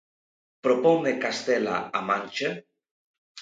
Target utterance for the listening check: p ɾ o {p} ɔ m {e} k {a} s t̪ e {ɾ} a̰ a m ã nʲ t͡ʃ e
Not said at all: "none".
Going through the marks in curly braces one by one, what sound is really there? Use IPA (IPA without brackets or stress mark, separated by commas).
p, e, a, l